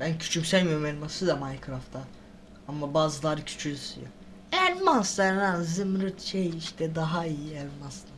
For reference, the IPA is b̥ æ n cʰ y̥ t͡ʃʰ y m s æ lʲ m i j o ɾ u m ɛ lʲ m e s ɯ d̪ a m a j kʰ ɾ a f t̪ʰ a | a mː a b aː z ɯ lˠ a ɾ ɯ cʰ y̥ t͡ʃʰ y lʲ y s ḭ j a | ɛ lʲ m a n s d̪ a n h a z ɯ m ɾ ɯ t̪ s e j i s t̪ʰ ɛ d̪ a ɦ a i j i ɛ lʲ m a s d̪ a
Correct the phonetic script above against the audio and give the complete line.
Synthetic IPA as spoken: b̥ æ n cʰ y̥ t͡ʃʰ y m s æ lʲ m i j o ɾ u m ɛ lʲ m a s ɯ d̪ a m a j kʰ ɾ a f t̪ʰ a | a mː a b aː z ɯ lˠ a ɾ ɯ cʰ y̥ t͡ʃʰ y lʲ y s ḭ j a | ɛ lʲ m a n s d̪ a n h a z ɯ m ɾ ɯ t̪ ʃ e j i ʃ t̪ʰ ɛ d̪ a ɦ a i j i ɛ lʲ m a s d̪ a